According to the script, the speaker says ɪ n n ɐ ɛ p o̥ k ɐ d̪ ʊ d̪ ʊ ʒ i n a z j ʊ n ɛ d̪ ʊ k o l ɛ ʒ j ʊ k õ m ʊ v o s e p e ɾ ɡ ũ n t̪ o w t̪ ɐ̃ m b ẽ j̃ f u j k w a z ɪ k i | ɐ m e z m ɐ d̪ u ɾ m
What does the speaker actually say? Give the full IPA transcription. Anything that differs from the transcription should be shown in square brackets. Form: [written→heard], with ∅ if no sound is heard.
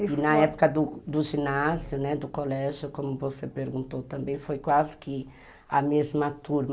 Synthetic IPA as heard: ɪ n n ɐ ɛ p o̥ k ɐ d̪ ʊ d̪ ʊ ʒ i n a z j ʊ n ɛ d̪ ʊ k o l ɛ ʒ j ʊ k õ m ʊ v o s e p e ɾ ɡ ũ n t̪ o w t̪ ɐ̃ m b ẽ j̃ f [u→o] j k w a z ɪ k [i→ɪ] | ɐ m e z m ɐ [d̪→t̪] u ɾ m

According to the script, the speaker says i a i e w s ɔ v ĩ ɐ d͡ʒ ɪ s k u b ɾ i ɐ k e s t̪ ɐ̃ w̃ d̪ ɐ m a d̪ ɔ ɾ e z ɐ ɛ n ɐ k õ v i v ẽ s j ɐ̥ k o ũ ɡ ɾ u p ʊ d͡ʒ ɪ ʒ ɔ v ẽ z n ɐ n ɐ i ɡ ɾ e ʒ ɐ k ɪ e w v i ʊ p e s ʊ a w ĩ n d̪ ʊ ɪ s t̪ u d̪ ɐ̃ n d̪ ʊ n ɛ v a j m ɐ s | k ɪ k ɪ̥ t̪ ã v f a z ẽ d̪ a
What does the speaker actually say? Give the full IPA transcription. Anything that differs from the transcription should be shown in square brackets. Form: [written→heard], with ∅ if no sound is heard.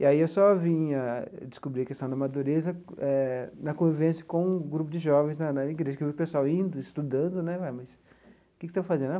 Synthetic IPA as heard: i a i e w s ɔ v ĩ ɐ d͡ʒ ɪ s k u b ɾ i ɐ k e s t̪ ɐ̃ w̃ d̪ ɐ m a d̪ [ɔ→u] ɾ e z ɐ ɛ n ɐ k õ v i v ẽ s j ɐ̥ k [o→õ] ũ ɡ ɾ u p ʊ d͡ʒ ɪ ʒ ɔ v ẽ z n ɐ n ɐ i ɡ ɾ e ʒ ɐ k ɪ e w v i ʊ p e s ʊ a w ĩ n d̪ ʊ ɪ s t̪ u d̪ ɐ̃ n d̪ ʊ n ɛ v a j m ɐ s | k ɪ k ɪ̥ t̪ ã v f a z ẽ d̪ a

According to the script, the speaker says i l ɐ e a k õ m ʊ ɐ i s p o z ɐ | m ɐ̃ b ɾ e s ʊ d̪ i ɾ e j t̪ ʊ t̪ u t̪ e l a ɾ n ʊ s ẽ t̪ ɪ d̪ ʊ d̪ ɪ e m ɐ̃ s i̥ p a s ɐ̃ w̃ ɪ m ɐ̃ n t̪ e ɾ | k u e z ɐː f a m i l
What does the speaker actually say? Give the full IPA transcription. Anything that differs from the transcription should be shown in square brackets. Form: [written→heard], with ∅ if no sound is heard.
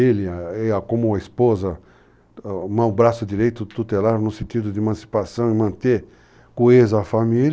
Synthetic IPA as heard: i l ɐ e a k õ m ʊ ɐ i s p o z ɐ | m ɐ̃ b ɾ [e→a] s ʊ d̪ i ɾ e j t̪ ʊ t̪ u t̪ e l a ɾ n ʊ s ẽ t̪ [ɪ→i] d̪ ʊ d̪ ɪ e m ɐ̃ s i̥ p a s ɐ̃ w̃ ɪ m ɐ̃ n t̪ e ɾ | k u e z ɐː f a m i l

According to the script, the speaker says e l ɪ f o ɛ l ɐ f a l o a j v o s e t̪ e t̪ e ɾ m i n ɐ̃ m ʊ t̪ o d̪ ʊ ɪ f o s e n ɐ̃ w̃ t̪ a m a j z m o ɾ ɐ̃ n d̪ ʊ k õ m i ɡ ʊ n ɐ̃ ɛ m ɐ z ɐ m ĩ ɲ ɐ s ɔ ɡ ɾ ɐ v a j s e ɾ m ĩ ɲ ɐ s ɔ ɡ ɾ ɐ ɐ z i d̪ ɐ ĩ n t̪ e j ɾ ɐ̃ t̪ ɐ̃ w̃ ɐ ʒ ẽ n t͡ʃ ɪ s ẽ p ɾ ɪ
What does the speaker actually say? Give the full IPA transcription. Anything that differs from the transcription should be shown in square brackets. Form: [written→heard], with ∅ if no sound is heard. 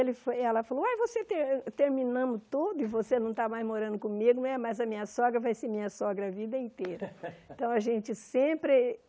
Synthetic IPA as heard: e l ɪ f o ɛ l ɐ f a l o a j v o s e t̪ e t̪ e ɾ m i n ɐ̃ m ʊ t̪ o d̪ ʊ ɪ [f→v] o s e n ɐ̃ w̃ t̪ a m a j z m o ɾ ɐ̃ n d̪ ʊ k õ m i ɡ ʊ n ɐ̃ ɛ m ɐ z ɐ m ĩ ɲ ɐ s ɔ ɡ ɾ ɐ v a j s e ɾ m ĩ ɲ ɐ s ɔ ɡ ɾ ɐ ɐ [z→v] i d̪ ɐ ĩ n t̪ e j ɾ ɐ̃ t̪ ɐ̃ w̃ ɐ ʒ ẽ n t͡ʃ ɪ s ẽ p ɾ ɪ

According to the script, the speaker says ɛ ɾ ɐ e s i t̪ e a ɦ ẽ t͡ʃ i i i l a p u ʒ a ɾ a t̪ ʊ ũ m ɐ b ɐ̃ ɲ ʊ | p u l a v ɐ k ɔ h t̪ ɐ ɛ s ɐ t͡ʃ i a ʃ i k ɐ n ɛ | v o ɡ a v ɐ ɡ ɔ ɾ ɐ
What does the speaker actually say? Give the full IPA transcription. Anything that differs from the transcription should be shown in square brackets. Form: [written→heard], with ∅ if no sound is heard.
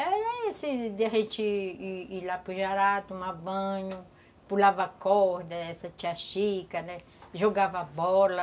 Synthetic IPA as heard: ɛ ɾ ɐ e s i [t̪→d̪] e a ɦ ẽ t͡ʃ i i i l a p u ʒ a ɾ a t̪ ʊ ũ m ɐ b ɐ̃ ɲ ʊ | p u l a v ɐ k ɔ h [t̪→d̪] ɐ ɛ s ɐ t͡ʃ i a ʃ i k ɐ n ɛ | [v→ʒ] o ɡ a v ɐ [ɡ→b] ɔ [ɾ→l] ɐ

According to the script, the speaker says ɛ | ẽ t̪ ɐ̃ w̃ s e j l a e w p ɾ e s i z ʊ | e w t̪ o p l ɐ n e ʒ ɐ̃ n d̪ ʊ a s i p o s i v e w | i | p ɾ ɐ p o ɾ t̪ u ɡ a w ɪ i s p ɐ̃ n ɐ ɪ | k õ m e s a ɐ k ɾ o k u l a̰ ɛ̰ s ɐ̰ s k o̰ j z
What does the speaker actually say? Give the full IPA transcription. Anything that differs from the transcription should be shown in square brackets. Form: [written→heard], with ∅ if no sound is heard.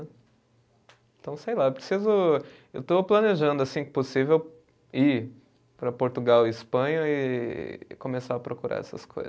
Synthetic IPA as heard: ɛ | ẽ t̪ ɐ̃ w̃ s e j l a e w p ɾ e s i z ʊ | e w t̪ o p l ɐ n e ʒ ɐ̃ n d̪ ʊ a s [i→ĩ] p o s i v e w | i | p ɾ ɐ p o ɾ t̪ u ɡ a w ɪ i s p ɐ̃ [n→ɲ] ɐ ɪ | k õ m e s a ɐ [k→p] ɾ o k u [l→ɾ] a̰ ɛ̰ s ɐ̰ s k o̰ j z

